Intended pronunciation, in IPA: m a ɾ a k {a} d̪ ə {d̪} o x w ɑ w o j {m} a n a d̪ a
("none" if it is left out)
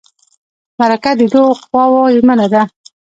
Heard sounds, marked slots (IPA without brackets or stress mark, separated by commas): a, d̪, m